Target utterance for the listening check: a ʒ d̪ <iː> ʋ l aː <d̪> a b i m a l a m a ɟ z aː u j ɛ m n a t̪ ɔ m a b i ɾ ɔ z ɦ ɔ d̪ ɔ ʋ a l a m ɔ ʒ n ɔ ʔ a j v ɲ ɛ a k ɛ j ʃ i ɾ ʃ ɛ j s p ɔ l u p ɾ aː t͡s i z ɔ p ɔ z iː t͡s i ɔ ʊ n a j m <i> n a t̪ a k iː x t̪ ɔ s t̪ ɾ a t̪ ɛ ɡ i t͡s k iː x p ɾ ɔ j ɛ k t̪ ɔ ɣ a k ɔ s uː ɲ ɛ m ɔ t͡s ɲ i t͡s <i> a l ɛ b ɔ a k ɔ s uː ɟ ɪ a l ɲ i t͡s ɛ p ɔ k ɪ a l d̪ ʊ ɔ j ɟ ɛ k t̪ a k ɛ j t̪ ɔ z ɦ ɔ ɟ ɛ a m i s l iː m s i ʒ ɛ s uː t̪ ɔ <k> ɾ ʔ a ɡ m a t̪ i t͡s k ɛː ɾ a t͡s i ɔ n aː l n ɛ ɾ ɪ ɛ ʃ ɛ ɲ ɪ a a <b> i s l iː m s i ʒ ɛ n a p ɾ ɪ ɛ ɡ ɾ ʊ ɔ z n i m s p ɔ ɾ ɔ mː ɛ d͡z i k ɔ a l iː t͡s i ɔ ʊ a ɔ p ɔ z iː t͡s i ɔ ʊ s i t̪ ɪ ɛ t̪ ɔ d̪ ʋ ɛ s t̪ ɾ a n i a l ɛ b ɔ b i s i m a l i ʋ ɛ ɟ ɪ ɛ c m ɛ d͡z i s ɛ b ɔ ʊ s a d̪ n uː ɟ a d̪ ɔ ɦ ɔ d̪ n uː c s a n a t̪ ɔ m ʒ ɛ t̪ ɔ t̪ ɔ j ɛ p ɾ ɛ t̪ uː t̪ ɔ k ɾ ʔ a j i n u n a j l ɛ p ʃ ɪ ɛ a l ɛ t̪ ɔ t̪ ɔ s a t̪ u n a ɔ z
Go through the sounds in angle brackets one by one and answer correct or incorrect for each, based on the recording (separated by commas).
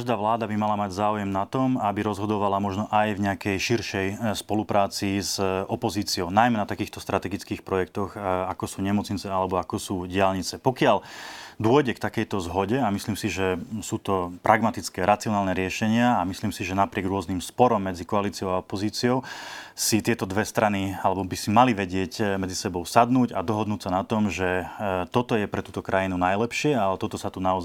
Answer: incorrect, correct, incorrect, incorrect, incorrect, incorrect